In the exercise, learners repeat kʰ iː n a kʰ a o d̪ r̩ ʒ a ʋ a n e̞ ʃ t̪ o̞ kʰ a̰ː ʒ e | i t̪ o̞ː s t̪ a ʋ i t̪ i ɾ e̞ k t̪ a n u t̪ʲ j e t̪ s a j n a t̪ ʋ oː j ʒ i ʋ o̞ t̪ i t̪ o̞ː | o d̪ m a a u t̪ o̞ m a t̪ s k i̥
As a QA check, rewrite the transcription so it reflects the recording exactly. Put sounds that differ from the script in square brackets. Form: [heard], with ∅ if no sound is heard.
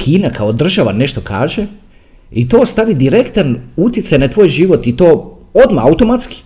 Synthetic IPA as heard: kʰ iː n a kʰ a o d̪ r̩ ʒ a ʋ a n e̞ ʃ t̪ o̞ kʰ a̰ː ʒ e | i t̪ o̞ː s t̪ a ʋ i [d̪] i ɾ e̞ k t̪ a n u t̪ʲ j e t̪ s a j n a t̪ ʋ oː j ʒ i ʋ o̞ t̪ i t̪ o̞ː | o d̪ m a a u t̪ o̞ m a t̪ s k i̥